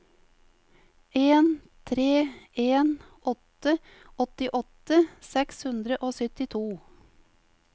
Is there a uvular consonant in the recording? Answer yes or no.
no